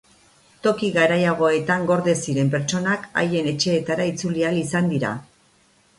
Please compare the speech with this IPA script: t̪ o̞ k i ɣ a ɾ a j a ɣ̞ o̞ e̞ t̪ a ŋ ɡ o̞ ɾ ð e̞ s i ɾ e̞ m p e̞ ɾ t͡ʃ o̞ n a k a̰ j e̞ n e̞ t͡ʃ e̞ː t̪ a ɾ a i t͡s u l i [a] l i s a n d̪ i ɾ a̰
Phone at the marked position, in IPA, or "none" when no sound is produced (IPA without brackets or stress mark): a